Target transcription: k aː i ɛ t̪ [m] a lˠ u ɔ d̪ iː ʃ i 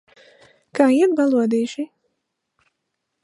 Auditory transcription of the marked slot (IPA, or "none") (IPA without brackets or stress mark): b